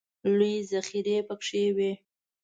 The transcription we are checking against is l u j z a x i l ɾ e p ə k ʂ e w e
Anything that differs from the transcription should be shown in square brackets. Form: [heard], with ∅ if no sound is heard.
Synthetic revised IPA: l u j z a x i [∅] ɾ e p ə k ʂ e w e